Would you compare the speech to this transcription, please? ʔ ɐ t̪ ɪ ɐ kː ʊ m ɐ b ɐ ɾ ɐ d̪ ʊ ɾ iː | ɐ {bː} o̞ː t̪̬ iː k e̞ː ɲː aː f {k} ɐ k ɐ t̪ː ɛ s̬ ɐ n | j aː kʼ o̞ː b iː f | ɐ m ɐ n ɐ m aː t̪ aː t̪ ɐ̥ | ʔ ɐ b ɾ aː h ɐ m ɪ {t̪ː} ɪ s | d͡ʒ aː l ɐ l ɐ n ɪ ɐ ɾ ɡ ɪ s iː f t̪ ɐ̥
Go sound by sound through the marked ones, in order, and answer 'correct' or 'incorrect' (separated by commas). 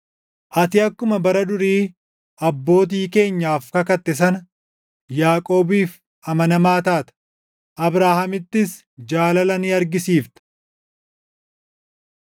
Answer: correct, correct, correct